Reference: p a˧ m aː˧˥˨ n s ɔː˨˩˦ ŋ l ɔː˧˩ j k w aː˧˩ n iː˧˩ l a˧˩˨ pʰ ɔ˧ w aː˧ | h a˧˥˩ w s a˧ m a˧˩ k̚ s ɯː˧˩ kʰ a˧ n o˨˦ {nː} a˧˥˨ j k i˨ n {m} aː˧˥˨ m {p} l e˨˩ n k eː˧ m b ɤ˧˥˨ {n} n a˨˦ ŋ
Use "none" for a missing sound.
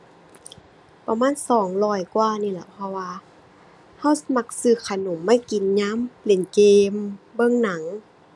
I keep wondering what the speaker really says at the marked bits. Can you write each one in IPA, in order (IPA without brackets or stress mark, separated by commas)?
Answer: mː, ɲ, p, ŋ